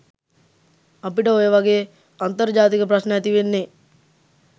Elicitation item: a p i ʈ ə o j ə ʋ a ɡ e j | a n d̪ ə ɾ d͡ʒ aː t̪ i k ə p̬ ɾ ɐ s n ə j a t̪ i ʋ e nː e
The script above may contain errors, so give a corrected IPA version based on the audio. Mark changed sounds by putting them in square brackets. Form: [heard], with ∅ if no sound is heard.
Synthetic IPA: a p i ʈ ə o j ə ʋ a ɡ e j | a n [t̪] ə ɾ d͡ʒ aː t̪ i k ə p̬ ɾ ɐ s n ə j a t̪ i ʋ e nː e